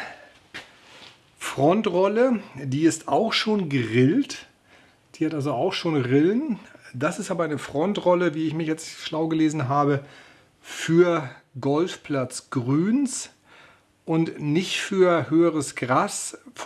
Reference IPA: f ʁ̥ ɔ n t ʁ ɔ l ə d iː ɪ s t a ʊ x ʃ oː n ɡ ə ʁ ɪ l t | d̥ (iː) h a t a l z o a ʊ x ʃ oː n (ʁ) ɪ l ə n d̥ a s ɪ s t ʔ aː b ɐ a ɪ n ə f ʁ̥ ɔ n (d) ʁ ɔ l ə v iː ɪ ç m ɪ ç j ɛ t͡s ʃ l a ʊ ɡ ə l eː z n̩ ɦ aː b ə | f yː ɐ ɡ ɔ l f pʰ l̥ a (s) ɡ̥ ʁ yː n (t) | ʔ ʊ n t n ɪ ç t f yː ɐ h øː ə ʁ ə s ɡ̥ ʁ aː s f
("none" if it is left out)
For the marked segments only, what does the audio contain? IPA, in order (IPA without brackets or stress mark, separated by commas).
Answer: iː, ʁ, t, t͡s, s